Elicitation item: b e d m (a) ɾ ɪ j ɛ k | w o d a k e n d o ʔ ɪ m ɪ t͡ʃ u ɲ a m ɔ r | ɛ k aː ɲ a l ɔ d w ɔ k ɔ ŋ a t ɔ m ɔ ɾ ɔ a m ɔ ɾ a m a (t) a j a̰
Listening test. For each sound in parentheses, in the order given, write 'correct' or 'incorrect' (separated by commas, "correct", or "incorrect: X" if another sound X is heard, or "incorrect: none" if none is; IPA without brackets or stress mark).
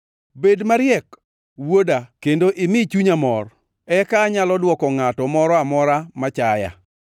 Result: correct, incorrect: t͡ʃ